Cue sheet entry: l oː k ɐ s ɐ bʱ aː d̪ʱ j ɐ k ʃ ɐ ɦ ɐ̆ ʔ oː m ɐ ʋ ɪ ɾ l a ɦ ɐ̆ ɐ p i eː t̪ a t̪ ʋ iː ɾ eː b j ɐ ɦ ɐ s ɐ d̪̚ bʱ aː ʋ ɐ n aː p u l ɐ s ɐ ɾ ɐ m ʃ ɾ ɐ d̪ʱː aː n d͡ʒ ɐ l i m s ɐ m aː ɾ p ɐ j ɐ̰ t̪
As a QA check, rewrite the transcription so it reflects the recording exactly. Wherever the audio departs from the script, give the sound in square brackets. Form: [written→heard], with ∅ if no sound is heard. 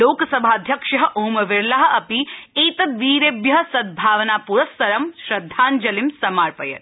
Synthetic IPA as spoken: l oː k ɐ s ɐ bʱ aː d̪ʱ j ɐ k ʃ ɐ ɦ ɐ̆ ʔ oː m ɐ ʋ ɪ ɾ l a ɦ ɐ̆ ɐ p i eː t̪ [a→ɐ] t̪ ʋ iː ɾ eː b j ɐ ɦ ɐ s ɐ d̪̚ bʱ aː ʋ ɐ n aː p u [l→ɾ] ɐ s ɐ ɾ ɐ m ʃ ɾ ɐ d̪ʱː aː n d͡ʒ ɐ l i m s ɐ m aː ɾ p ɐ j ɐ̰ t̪